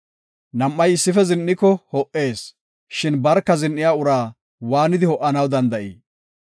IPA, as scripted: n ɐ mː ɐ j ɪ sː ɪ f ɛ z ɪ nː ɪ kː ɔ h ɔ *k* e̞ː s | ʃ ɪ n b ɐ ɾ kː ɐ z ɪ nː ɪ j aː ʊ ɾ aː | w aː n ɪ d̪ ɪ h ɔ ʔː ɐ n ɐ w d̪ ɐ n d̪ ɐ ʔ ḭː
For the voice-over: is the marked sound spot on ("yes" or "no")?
no